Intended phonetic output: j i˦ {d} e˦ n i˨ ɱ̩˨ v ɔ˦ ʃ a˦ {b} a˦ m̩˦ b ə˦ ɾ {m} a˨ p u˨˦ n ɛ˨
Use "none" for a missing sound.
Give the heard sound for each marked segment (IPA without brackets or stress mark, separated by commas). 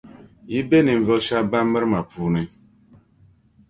b, b, m